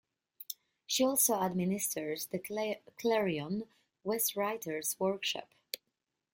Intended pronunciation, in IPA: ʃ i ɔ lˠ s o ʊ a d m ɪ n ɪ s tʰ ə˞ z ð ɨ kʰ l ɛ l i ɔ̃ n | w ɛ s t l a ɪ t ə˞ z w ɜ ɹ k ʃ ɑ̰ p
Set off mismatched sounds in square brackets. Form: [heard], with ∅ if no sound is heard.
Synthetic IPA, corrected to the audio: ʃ i ɔ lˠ s o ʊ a d m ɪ n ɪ s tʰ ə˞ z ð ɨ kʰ l ɛ [ɹ] i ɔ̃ n | w ɛ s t [ɹ] a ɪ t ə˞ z w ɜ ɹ k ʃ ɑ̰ p